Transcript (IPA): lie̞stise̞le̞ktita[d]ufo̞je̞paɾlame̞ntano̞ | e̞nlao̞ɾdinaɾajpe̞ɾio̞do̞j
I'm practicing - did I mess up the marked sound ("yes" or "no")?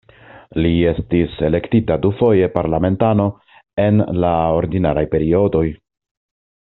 no